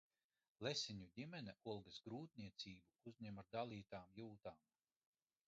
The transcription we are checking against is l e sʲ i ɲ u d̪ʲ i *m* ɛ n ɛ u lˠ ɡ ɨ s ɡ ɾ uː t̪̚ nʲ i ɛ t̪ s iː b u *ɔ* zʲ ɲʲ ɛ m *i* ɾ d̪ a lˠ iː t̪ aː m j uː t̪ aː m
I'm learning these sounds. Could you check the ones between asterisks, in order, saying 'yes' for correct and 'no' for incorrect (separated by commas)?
yes, no, no